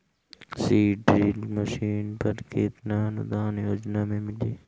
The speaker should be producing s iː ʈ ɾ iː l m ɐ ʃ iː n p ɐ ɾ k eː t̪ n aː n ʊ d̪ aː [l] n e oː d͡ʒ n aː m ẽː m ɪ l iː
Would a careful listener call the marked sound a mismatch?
yes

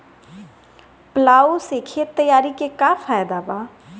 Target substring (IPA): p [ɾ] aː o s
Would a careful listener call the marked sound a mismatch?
yes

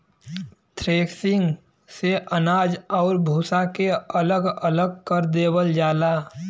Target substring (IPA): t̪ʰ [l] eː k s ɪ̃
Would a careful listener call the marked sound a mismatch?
yes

